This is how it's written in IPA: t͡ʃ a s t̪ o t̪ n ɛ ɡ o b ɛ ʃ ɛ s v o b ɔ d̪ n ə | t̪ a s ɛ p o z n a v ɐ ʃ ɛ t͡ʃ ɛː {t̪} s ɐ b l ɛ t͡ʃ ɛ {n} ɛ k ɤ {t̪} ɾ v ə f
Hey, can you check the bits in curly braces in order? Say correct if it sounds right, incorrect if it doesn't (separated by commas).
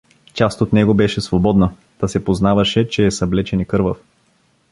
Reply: incorrect, correct, incorrect